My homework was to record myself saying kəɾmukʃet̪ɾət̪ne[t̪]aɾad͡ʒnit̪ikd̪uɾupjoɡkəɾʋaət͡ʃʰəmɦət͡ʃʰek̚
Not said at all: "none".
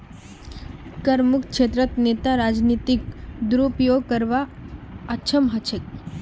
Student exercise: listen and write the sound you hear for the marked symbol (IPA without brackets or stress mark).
t̪